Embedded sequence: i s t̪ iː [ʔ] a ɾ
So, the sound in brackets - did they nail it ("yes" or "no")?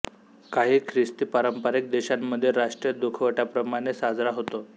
no